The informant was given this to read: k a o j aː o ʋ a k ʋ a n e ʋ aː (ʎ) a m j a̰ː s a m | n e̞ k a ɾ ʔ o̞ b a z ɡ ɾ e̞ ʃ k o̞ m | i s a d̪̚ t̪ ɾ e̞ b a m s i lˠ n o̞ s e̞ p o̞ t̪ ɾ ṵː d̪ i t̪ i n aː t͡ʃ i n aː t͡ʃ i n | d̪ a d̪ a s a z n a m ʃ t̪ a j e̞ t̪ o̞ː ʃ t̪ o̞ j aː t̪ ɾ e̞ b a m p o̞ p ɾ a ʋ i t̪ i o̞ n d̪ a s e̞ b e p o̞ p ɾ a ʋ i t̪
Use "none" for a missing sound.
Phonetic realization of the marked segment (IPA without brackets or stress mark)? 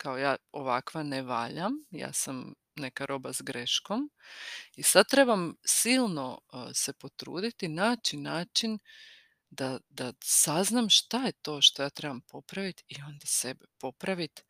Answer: ʎ